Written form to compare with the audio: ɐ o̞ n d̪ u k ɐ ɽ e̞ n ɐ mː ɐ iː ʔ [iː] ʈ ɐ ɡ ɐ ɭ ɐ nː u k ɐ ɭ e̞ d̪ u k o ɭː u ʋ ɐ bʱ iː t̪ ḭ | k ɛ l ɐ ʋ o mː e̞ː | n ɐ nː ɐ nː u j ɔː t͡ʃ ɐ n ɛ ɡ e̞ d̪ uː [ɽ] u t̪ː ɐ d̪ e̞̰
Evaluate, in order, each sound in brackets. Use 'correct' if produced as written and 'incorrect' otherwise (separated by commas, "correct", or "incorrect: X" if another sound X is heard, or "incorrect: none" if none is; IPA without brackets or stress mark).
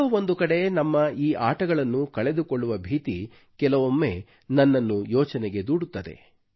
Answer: incorrect: aː, correct